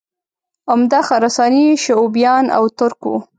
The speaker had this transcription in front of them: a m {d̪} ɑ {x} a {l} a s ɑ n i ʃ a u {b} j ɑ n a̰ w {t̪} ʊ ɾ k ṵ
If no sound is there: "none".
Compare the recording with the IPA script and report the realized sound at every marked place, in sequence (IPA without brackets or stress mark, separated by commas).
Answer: d̪, x, ɾ, b, t̪